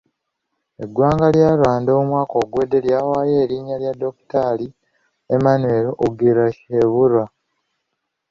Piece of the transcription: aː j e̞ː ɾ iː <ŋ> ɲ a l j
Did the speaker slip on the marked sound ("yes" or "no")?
yes